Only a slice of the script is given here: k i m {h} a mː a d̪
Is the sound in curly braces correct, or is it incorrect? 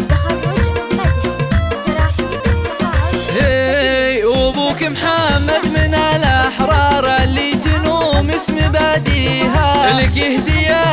incorrect: ħ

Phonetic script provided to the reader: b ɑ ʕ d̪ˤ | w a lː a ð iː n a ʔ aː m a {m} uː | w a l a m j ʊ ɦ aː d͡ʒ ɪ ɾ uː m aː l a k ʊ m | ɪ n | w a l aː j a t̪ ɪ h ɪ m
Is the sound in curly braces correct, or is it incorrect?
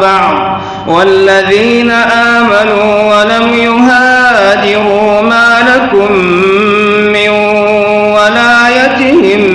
incorrect: n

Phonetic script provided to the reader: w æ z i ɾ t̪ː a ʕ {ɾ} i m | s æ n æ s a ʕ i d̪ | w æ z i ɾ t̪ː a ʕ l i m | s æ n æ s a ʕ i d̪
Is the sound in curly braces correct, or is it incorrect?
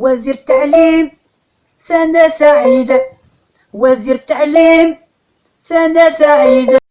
incorrect: l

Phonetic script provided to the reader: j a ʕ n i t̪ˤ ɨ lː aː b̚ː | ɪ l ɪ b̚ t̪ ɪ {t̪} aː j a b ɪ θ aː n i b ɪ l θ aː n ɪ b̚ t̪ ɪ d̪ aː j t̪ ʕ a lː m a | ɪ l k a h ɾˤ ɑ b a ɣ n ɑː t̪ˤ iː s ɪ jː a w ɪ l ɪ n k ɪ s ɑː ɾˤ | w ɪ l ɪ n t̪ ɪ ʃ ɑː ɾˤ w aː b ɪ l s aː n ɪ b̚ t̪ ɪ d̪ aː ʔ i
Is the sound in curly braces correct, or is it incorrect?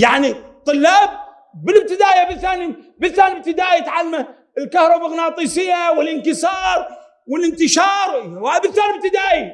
incorrect: d̪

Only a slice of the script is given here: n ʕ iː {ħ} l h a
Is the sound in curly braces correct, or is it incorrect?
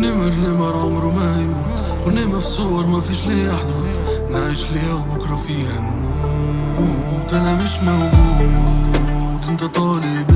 incorrect: ʃ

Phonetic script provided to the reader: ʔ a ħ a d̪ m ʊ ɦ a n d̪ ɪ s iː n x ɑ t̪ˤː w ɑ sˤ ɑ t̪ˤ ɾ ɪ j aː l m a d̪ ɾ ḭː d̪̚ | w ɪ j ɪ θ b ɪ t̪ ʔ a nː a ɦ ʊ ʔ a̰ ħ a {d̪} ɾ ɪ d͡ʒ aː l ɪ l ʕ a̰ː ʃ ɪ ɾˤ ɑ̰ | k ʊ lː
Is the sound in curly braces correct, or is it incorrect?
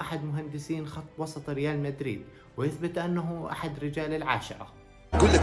correct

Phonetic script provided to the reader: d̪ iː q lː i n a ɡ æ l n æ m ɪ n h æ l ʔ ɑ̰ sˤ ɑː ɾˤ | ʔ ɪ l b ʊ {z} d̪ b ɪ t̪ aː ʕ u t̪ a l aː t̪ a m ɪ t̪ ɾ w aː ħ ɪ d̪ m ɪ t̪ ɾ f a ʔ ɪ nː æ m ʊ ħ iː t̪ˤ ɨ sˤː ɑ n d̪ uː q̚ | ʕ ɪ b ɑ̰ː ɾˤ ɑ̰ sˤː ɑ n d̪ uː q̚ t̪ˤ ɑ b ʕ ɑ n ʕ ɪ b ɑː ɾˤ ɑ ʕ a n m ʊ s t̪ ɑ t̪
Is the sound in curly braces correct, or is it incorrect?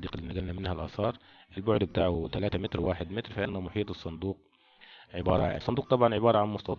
incorrect: ʕ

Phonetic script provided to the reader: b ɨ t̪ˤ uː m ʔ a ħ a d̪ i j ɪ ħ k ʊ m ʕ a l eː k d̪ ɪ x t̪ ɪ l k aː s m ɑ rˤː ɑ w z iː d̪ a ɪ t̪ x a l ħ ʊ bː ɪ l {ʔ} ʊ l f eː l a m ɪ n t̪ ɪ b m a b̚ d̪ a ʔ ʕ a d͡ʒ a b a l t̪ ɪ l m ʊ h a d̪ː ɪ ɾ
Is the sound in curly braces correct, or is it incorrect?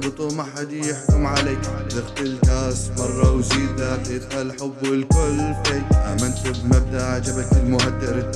incorrect: k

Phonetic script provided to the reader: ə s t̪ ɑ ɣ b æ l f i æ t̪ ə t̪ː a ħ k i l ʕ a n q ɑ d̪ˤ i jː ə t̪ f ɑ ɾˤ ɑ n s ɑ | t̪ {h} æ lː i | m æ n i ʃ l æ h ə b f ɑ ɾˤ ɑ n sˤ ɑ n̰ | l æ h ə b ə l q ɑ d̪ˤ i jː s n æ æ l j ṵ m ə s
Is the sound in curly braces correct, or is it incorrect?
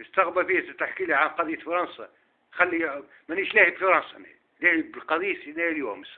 incorrect: x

